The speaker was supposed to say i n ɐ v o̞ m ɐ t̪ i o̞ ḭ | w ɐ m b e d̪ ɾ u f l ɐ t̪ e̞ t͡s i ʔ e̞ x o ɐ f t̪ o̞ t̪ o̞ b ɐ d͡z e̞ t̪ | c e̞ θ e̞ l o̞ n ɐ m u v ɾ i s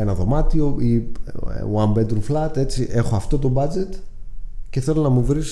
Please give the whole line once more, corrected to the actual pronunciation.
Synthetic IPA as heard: e n ɐ ð o̞ m ɐ t̪ i o̞ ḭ | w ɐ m b e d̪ ɾ u f l ɐ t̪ e̞ t͡s i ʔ e̞ x o ɐ f t̪ o̞ t̪ o̞ b ɐ d͡z e̞ t̪ | c e̞ θ e̞ l o̞ n ɐ m u v ɾ i s